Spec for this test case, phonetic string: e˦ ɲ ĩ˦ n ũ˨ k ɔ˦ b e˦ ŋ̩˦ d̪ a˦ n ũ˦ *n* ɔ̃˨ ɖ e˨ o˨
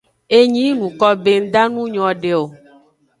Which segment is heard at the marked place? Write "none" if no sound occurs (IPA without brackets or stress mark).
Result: ɲ